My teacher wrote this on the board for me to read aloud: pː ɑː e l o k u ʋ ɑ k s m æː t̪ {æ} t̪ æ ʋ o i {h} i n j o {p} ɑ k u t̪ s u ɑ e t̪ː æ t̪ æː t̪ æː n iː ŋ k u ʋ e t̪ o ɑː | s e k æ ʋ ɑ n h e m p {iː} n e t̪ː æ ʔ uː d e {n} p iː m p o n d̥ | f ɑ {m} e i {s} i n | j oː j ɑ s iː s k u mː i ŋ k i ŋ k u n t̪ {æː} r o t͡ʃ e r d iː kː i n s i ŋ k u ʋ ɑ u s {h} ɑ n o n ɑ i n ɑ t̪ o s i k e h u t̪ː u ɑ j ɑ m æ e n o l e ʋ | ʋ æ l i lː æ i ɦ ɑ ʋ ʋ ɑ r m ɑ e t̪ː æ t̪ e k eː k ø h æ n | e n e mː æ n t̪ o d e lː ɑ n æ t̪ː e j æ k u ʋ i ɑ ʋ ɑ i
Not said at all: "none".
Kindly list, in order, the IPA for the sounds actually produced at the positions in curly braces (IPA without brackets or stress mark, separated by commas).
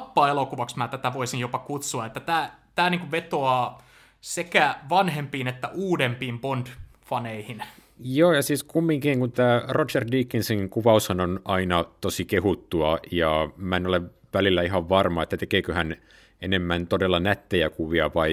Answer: æ, s, p, iː, m, n, h, æː, h